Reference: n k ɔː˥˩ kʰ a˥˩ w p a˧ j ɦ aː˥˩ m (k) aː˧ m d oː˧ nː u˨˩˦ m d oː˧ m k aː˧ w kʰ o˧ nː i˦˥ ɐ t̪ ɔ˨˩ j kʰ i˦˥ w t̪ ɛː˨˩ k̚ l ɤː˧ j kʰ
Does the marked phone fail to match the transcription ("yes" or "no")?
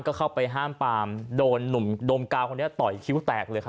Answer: yes